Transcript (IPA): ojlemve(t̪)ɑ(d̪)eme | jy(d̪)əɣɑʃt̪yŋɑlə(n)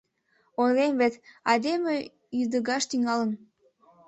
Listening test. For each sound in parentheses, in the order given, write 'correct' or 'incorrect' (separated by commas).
correct, correct, correct, correct